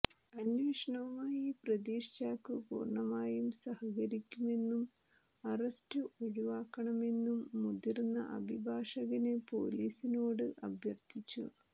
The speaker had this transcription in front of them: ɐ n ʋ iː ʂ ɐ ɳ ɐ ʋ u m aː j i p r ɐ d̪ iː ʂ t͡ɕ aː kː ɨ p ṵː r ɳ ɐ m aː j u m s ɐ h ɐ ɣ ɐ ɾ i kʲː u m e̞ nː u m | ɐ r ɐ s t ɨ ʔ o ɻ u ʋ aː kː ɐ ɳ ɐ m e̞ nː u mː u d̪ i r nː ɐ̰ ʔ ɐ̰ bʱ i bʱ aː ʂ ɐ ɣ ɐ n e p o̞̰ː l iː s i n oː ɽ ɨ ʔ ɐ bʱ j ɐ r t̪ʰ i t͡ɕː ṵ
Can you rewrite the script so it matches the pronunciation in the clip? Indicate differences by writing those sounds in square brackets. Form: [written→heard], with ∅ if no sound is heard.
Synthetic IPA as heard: ɐ n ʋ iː ʂ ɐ ɳ ɐ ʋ u m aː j i p r ɐ d̪ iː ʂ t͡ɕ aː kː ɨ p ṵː r ɳ ɐ m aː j u m s ɐ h ɐ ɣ ɐ ɾ i kʲː u m e̞ nː u m | ɐ r ɐ s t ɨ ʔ o ɻ u ʋ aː kː ɐ ɳ ɐ m e̞ nː u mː u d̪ i r nː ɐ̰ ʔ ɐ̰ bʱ i bʱ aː ʂ ɐ ɣ ɐ n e p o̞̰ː l iː s i n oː ɽ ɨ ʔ ɐ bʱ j ɐ r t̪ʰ i t͡ɕː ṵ